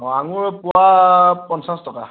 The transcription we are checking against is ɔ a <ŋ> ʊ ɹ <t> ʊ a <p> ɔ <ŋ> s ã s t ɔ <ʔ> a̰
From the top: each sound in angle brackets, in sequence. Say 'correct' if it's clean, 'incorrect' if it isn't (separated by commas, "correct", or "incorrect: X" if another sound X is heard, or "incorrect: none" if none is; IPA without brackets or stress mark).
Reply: correct, incorrect: p, correct, incorrect: n, incorrect: k